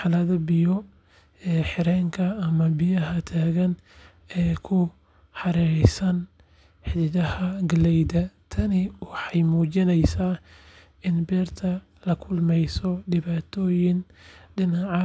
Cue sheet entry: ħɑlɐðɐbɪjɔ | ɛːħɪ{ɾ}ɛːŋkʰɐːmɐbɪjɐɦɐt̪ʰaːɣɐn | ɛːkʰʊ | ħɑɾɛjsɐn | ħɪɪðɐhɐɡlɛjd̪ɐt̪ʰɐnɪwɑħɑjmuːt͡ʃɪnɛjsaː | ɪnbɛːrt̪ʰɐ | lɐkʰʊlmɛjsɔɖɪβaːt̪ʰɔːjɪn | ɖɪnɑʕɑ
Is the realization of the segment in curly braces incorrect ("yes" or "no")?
no